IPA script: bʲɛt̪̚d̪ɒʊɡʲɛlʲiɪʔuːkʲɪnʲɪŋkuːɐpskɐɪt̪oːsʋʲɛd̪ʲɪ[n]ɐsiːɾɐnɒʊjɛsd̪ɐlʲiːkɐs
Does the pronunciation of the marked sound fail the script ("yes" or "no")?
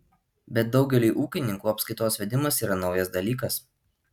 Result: yes